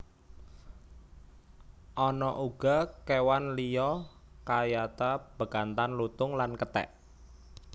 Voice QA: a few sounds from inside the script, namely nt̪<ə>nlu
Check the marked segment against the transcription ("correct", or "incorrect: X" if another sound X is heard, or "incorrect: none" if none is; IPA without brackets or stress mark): incorrect: a